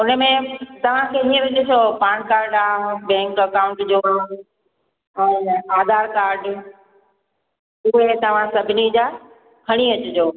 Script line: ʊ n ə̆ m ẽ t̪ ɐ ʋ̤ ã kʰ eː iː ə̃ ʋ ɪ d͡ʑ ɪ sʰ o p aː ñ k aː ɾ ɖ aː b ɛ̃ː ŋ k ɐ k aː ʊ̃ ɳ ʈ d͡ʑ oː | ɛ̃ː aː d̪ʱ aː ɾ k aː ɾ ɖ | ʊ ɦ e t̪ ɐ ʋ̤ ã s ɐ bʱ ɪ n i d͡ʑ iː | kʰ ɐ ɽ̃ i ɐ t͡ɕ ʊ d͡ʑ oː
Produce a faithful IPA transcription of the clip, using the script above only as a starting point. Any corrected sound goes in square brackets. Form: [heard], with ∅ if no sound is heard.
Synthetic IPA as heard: ʊ n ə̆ m ẽ t̪ ɐ ʋ̤ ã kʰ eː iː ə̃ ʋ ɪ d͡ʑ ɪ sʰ o p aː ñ k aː ɾ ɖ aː b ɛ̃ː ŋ k ɐ k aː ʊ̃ ɳ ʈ d͡ʑ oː | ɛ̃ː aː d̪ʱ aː ɾ k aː ɾ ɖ | ʊ ɦ e t̪ ɐ ʋ̤ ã s ɐ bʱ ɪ n i d͡ʑ [aː] | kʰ ɐ ɽ̃ i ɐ t͡ɕ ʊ d͡ʑ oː

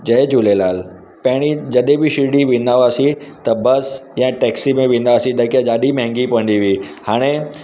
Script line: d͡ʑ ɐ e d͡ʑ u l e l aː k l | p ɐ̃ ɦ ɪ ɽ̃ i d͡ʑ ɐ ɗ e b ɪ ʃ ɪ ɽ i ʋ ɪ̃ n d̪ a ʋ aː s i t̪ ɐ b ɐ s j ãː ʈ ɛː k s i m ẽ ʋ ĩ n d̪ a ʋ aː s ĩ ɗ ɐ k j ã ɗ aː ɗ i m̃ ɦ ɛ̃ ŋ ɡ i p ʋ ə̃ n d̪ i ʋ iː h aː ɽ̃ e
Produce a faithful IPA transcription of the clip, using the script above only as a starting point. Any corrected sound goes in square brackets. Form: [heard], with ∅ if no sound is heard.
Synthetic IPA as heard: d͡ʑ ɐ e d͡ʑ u l e l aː [∅] l | p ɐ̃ ɦ ɪ ɽ̃ i d͡ʑ ɐ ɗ e b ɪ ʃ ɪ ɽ i ʋ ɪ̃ n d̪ a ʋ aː s i t̪ ɐ b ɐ s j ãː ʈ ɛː k s i m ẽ ʋ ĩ n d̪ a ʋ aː s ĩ ɗ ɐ k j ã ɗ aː ɗ i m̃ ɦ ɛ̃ ŋ ɡ i p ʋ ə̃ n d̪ i ʋ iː h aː ɽ̃ e

